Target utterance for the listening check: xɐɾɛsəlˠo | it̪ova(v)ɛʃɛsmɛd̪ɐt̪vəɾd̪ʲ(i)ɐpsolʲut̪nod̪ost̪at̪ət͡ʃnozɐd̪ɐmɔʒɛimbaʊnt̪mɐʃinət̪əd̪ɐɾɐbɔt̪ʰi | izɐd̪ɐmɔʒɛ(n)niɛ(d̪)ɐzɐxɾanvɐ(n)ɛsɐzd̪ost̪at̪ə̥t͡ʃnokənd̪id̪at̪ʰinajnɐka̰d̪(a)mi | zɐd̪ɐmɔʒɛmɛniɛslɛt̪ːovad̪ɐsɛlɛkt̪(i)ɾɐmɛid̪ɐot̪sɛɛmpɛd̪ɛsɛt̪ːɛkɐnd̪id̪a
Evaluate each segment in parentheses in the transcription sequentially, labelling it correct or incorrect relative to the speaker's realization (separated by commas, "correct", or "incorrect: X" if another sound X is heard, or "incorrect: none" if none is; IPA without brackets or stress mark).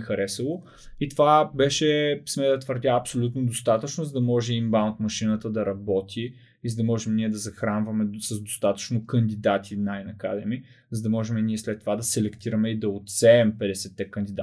incorrect: b, incorrect: a, incorrect: m, correct, incorrect: m, incorrect: ɛ, correct